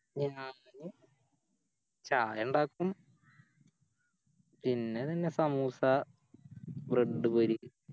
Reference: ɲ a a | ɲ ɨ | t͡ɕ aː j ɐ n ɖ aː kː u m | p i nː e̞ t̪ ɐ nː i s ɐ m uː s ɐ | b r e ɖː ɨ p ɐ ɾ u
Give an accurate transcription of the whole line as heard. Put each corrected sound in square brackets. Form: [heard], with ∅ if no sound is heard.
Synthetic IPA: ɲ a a | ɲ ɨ | t͡ɕ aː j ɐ [ɳ] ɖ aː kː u m | p i nː e̞ t̪ ɐ nː [e] s ɐ m uː s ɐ | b r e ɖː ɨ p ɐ ɾ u